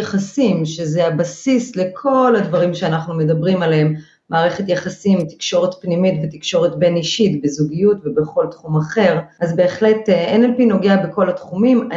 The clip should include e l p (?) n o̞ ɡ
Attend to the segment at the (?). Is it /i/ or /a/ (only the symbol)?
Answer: i